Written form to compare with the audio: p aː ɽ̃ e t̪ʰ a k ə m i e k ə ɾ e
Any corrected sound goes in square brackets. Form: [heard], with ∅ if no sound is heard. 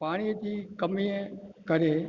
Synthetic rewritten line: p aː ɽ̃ [i] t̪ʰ [i] k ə m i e k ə ɾ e